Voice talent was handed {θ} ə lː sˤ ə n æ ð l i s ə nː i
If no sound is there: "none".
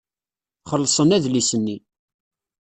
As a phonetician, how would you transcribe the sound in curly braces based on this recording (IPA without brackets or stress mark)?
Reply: χ